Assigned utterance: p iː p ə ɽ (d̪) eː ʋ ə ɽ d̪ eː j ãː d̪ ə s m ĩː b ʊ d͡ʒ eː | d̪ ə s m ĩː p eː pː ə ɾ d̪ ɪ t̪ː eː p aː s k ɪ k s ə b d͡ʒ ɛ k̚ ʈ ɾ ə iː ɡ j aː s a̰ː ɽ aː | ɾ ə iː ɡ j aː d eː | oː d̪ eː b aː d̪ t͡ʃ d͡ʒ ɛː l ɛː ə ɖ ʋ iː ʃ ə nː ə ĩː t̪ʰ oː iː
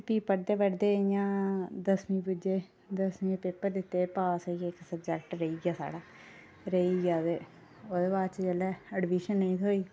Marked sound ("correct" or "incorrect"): correct